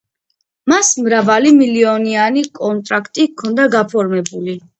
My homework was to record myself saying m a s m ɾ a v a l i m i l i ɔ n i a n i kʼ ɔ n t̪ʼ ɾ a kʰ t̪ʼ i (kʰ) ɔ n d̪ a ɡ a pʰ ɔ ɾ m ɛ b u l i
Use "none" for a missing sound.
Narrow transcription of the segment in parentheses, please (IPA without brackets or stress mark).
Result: kʰ